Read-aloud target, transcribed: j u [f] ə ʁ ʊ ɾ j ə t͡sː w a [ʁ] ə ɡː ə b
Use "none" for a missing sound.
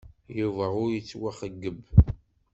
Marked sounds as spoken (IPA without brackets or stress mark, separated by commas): v, χ